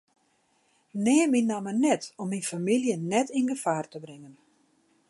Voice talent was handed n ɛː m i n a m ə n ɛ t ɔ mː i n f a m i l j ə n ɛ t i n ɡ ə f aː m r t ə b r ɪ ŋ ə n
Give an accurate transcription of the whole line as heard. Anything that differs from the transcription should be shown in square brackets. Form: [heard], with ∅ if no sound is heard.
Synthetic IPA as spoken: n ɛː m i n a m ə n ɛ t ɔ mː i n f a m i l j ə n ɛ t i n ɡ ə f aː [∅] r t ə b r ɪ ŋ ə n